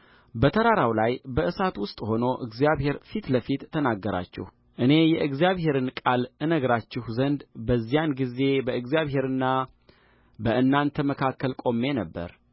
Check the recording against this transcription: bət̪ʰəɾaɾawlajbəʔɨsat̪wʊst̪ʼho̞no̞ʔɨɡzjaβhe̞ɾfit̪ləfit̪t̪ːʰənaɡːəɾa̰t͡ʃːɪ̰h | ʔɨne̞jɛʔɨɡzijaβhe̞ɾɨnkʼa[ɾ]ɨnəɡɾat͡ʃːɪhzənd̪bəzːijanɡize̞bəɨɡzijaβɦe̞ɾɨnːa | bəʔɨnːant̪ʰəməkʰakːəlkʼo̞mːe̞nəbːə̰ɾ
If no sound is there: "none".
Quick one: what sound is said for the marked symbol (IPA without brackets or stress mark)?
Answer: l